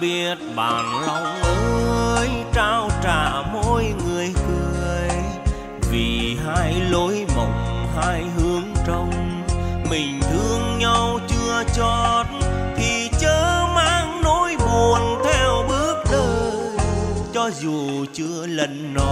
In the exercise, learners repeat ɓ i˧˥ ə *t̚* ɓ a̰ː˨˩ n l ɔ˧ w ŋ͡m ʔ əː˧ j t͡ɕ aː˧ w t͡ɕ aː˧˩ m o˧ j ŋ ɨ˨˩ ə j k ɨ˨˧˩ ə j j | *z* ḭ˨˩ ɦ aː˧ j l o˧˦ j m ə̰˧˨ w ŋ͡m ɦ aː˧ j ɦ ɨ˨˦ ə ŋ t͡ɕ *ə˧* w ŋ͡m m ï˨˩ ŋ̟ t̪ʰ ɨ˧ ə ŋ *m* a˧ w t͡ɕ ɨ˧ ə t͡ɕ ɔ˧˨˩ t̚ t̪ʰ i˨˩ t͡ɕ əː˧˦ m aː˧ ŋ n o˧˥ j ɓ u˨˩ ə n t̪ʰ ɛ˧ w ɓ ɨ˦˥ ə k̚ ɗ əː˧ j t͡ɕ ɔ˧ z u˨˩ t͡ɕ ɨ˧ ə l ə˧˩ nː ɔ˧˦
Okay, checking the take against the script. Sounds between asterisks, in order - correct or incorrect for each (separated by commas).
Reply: correct, incorrect, correct, incorrect